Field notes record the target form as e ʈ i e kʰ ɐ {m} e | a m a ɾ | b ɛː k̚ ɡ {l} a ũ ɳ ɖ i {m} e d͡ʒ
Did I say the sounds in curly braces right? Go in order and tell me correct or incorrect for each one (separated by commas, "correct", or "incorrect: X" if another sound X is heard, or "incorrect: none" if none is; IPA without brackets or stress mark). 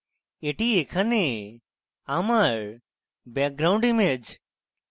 incorrect: n, incorrect: ɾ, correct